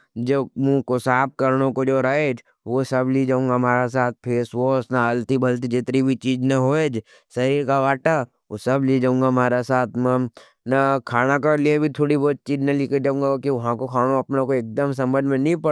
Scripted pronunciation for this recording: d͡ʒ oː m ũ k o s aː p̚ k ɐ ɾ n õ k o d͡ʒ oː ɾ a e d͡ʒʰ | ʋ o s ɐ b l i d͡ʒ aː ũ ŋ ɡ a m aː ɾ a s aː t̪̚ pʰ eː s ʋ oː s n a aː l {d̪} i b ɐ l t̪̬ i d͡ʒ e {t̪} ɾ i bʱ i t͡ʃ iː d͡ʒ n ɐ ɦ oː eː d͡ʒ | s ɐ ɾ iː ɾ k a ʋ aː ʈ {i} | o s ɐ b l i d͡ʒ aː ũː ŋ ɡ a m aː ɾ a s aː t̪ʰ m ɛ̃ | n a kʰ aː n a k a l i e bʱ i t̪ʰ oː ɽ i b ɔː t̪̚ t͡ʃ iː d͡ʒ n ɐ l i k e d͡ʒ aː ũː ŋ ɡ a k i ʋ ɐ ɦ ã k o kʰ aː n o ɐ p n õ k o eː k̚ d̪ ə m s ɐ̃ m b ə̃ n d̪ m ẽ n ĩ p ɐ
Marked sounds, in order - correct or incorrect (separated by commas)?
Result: incorrect, correct, incorrect